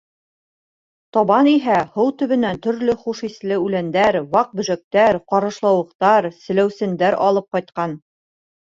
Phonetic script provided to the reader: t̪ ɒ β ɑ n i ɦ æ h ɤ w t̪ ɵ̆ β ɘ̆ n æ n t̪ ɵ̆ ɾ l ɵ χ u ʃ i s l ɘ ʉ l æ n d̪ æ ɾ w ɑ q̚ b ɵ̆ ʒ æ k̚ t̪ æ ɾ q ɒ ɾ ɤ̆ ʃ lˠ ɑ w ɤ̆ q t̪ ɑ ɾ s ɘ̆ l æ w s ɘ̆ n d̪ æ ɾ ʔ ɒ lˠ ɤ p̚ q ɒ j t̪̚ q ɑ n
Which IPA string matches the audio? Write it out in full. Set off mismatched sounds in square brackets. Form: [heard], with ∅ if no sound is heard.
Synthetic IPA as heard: t̪ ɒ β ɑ n i ɦ æ h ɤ w t̪ ɵ̆ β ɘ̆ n æ n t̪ ɵ̆ ɾ l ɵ χ u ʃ i s l ɘ ʉ l æ n d̪ æ ɾ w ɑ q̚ b ɵ̆ ʒ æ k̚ t̪ æ ɾ q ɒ ɾ ɤ̆ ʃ lˠ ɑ w ɤ̆ q t̪ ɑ ɾ s ɘ̆ l æ w s ɘ̆ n d̪ æ ɾ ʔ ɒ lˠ ɤ p̚ q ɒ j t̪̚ q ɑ n